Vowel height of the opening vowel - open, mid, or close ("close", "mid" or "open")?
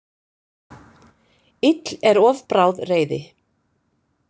close